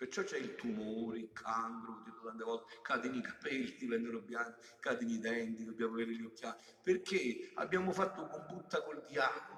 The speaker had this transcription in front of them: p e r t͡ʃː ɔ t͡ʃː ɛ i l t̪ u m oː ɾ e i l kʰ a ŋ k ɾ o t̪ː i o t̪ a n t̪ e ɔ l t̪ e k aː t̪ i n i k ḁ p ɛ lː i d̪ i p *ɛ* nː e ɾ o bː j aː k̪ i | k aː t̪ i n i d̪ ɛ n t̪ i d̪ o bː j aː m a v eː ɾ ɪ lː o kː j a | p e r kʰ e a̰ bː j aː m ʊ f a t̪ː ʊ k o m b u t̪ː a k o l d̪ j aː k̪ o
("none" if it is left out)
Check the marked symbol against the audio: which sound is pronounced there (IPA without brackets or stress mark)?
ɛ